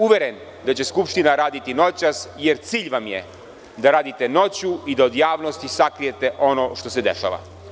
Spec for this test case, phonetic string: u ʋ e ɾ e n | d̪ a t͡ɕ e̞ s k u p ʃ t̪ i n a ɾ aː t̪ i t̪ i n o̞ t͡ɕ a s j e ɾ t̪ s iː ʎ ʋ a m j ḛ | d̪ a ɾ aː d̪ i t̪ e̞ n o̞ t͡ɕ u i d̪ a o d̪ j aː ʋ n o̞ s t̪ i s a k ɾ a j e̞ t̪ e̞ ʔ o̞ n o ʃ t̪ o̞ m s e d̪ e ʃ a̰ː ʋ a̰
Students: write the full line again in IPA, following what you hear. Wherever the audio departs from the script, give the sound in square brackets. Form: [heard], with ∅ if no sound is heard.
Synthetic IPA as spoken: u ʋ e ɾ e n | d̪ a t͡ɕ e̞ s k u p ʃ t̪ i n a ɾ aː [d̪] i t̪ i n o̞ t͡ɕ a s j e ɾ t̪ s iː ʎ ʋ a m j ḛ | d̪ a ɾ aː d̪ i t̪ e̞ n o̞ t͡ɕ u i d̪ a o d̪ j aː ʋ n o̞ s t̪ i s a k ɾ [i] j e̞ t̪ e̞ ʔ o̞ n o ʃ t̪ o̞ [∅] s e d̪ e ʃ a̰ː ʋ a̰